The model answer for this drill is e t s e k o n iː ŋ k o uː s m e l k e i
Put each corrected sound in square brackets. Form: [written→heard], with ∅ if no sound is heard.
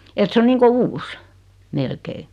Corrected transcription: e t s e [k→∅] o n iː ŋ k o uː s m e l k e i

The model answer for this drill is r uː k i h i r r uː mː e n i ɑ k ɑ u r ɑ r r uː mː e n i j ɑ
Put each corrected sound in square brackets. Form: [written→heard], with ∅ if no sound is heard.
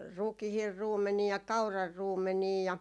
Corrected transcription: r [uː→u] k i h i r r uː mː e n i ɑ k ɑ u r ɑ r r uː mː e n [i→iː] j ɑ

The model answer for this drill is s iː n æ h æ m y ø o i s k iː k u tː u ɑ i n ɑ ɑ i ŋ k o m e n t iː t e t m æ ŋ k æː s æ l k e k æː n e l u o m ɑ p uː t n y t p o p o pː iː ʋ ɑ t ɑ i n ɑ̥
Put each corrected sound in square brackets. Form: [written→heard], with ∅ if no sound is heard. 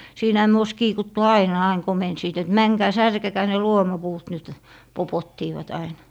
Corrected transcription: s iː n æ h æ m y ø o i s k iː k u tː u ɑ i n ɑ ɑ i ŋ k o m e n [t→s] iː t e t m æ ŋ k æː s æ [l→r] k e k æː n e l u o m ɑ p uː t n y t p o p o [pː→tː] iː ʋ ɑ t ɑ i n ɑ̥

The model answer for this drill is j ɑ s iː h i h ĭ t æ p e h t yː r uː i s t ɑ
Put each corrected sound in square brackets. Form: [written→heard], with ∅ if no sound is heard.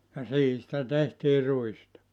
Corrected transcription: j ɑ s iː h i [h→s] ĭ t æ [p→t] e h t [yː→iː] r [uː→u] i s t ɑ

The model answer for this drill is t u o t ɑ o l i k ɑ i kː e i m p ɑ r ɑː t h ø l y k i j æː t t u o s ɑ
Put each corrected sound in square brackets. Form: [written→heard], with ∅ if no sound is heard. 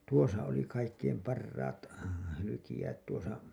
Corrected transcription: t u o [t→s] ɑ o l i k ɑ i kː e i m p ɑ [r→rː] ɑː t h [ø→y] l y k i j æː t t u o s ɑ

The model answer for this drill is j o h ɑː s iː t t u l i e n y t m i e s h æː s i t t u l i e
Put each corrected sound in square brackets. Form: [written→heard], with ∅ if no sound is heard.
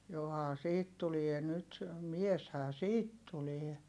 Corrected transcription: j o h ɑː s iː t t u l i e n y t m i e s h æː s [i→iː] t t u l i e

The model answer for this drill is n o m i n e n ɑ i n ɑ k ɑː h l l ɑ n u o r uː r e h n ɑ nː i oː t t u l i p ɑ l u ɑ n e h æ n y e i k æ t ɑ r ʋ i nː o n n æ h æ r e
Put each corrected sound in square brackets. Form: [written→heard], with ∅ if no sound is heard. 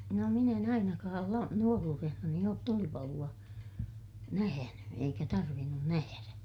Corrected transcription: n o m i n e n ɑ i n ɑ k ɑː [h→∅] l l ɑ n u o r uː r e h n ɑ [nː→n] i oː t t u l i p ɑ l u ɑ n [e→æ] h æ n y e i k æ t ɑ r ʋ i nː [o→u] n n æ h æ r [e→æ]

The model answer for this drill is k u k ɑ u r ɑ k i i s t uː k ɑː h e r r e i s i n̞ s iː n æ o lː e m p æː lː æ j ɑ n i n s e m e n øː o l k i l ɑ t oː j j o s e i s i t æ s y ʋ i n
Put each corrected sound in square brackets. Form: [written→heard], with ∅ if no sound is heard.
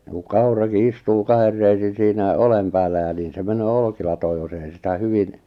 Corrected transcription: k u k ɑ u r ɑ k i i s t uː k [ɑː→ɑ] h e r r e i s i n̞ s iː n æ o [lː→l] e m p æː lː æ j ɑ n [i→iː] n s e m e n øː o l k i l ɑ t oː j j o s e i s i t æ [s→h] y ʋ i n

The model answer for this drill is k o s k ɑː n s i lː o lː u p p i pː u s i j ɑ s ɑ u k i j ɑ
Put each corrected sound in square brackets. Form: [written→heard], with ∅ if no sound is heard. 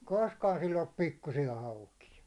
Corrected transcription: k o s k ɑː n s i lː o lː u p p i [pː→kː] u s i j ɑ [s→h] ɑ u k i j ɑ

